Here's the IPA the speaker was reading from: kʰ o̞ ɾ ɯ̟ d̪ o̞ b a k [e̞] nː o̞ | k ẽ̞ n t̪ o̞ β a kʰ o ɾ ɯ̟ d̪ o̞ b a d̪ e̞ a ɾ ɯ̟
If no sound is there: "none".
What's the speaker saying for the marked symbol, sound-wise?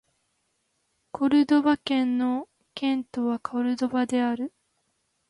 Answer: ẽ̞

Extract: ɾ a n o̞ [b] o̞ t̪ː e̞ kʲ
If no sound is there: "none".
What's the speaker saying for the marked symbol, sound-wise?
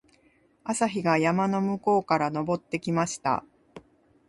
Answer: b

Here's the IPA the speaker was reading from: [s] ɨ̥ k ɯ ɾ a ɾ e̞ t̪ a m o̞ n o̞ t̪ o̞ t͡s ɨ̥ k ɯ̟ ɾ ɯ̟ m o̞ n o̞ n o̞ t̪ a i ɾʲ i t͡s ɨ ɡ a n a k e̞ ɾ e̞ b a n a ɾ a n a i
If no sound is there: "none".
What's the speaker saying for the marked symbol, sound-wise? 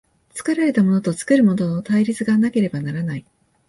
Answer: t͡s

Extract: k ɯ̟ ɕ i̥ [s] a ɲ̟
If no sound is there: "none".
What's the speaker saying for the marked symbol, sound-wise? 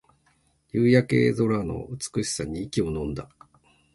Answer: s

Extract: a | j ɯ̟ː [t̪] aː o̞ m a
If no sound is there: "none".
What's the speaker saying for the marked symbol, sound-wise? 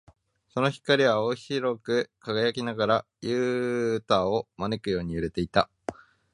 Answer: t̪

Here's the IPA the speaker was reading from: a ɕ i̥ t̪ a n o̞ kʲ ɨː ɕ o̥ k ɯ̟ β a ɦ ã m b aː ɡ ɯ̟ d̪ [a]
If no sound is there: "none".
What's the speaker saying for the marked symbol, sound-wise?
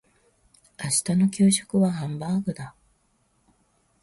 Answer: a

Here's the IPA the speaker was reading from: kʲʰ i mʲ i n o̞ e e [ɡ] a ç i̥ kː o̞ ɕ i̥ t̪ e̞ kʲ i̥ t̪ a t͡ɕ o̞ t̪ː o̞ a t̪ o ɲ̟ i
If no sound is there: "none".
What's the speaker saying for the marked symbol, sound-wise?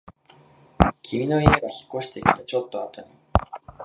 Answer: ɡ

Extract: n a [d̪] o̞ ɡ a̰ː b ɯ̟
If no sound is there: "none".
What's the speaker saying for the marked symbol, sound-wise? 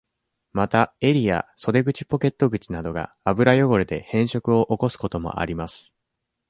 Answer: d̪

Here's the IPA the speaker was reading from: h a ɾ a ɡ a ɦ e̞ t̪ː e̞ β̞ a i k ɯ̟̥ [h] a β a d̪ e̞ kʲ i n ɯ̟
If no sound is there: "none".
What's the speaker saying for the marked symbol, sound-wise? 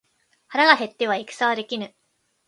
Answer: s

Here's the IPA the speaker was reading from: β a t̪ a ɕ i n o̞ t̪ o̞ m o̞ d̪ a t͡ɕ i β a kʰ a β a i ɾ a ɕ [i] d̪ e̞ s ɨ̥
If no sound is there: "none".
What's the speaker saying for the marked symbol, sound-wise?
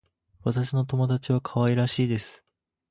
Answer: iː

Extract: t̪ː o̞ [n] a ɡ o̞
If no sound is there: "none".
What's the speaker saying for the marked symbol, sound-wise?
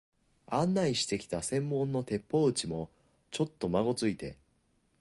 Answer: m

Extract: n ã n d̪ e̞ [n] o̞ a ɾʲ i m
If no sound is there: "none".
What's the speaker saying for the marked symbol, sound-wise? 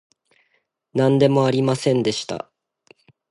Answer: m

